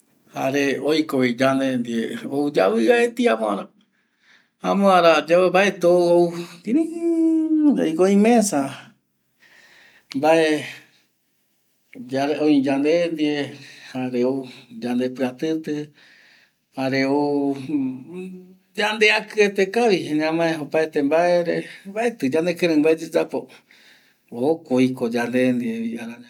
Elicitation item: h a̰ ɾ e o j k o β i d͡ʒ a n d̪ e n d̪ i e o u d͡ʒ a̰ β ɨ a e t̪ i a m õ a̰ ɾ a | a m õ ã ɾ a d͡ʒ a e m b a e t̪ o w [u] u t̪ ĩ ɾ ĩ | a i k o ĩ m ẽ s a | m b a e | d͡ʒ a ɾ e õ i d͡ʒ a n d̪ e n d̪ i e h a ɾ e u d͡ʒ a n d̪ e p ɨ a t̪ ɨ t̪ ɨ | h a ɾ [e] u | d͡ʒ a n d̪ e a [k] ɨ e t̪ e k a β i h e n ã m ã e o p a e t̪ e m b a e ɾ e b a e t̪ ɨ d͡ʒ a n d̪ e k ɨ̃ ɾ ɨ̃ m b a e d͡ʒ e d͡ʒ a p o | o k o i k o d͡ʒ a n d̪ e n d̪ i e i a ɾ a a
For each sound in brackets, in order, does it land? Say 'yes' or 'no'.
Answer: no, yes, yes

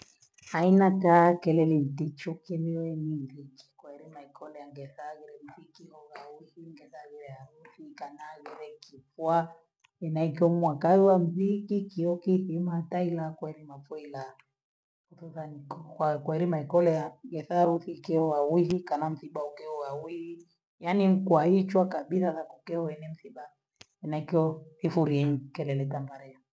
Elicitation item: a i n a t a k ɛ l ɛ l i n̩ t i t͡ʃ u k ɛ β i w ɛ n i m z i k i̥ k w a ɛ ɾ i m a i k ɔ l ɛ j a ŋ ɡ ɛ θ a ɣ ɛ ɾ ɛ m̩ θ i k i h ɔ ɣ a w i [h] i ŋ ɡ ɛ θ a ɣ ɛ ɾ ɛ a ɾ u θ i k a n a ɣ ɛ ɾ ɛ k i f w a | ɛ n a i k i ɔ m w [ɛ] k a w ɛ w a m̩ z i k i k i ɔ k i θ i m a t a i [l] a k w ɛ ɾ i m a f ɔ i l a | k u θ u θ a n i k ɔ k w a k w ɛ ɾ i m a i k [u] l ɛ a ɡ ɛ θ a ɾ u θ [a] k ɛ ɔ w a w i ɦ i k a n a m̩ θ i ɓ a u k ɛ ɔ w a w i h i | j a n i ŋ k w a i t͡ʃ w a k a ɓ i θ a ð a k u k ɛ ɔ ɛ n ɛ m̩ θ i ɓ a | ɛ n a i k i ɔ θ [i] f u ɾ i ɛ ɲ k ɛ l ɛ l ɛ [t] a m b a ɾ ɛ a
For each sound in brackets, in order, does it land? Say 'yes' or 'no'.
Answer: yes, no, yes, no, no, yes, yes

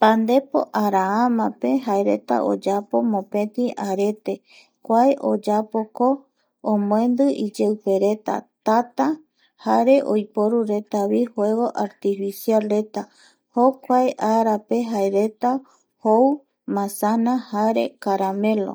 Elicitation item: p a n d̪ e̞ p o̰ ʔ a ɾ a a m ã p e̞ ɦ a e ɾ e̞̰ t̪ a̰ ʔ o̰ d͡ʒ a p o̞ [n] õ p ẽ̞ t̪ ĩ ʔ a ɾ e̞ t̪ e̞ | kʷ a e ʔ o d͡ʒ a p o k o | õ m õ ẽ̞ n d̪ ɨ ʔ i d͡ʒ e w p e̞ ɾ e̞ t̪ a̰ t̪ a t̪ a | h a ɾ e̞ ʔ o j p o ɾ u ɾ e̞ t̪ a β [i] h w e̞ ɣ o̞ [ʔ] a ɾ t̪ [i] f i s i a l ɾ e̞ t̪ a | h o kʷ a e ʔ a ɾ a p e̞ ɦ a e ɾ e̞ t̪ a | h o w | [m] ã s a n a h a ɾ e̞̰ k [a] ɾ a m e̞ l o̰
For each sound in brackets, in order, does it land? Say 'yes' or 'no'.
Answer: no, yes, yes, yes, yes, yes

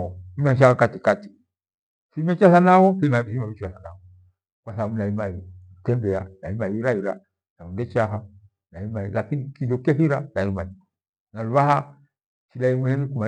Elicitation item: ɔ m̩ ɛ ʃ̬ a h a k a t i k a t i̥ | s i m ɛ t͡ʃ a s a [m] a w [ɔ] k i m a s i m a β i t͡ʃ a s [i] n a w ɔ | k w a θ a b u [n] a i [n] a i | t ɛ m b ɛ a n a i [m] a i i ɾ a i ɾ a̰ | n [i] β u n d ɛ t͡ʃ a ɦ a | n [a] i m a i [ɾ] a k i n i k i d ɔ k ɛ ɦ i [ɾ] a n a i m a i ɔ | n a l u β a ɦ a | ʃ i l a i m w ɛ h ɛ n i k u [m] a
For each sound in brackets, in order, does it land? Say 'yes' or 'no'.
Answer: no, yes, no, yes, no, yes, no, yes, no, yes, yes

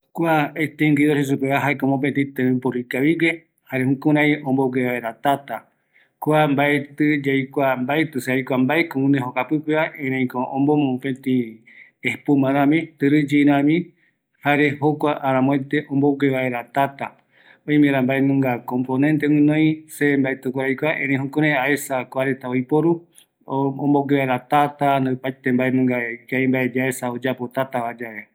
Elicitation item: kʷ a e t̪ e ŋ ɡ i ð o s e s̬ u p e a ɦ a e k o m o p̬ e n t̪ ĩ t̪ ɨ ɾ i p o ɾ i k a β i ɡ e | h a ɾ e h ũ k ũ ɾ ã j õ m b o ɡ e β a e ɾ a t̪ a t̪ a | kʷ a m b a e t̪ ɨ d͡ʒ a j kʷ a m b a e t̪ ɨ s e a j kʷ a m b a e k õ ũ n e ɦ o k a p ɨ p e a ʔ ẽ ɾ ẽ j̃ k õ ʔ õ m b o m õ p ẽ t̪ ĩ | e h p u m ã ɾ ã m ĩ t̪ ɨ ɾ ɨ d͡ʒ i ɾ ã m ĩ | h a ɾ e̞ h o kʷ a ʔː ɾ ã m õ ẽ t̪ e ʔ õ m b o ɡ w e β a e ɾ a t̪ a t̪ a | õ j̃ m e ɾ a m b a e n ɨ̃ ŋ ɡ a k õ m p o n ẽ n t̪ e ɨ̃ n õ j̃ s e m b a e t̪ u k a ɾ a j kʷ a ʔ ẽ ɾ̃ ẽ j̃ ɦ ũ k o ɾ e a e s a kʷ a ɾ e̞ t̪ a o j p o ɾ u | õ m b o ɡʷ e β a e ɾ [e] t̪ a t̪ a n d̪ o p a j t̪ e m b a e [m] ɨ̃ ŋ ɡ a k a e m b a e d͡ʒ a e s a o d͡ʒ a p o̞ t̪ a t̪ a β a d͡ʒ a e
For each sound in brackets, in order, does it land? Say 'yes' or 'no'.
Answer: no, no

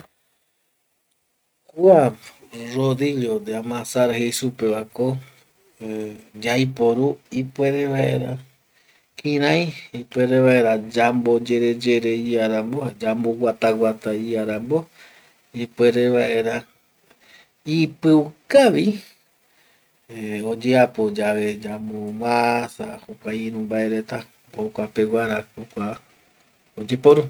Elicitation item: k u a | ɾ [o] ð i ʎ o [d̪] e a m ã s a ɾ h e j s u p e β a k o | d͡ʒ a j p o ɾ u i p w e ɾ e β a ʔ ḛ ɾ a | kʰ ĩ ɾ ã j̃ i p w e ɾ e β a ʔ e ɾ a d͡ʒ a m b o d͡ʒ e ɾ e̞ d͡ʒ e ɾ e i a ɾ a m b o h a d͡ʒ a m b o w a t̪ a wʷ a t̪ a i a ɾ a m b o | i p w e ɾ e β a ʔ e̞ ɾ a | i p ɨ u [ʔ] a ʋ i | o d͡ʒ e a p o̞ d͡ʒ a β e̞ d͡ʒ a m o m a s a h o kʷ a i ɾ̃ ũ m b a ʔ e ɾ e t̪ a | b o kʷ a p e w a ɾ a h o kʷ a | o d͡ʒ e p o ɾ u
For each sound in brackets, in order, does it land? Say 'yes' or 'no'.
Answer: yes, yes, no

